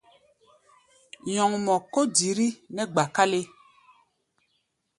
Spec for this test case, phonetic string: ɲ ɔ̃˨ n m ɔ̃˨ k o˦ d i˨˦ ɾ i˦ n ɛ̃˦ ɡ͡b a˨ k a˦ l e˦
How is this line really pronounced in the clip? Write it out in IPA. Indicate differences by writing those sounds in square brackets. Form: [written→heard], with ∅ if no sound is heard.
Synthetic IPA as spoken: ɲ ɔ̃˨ [n→ŋ] m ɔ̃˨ k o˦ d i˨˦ ɾ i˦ n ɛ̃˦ ɡ͡b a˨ k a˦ l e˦